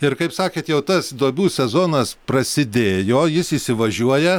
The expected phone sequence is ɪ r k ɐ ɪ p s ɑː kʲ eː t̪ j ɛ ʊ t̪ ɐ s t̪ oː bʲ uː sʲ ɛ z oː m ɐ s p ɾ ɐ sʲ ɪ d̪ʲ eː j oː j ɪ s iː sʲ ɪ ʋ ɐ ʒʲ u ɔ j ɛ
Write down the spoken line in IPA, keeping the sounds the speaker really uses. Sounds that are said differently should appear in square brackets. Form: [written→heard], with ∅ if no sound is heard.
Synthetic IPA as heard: ɪ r k ɐ ɪ p s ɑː kʲ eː t̪ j ɛ ʊ t̪ ɐ s [t̪→d̪] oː bʲ uː sʲ ɛ z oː [m→n] ɐ s p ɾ ɐ sʲ ɪ d̪ʲ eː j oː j ɪ s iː sʲ ɪ ʋ ɐ ʒʲ u ɔ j ɛ